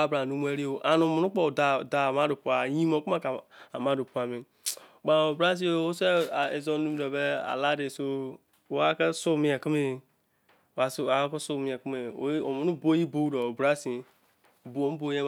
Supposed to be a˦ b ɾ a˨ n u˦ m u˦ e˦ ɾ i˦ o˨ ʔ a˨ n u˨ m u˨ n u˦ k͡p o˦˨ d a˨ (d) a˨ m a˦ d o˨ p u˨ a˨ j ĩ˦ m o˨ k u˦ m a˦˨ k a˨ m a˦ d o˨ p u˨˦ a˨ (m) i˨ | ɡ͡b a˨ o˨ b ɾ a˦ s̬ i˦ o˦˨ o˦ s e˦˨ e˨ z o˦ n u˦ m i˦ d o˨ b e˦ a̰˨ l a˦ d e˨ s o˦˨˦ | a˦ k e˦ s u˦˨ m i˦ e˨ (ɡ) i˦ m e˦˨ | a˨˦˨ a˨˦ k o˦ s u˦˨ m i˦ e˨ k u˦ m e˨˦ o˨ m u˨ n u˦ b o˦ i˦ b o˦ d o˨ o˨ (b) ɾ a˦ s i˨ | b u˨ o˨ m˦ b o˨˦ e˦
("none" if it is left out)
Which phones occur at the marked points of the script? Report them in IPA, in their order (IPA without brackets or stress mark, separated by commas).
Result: d, m, k, b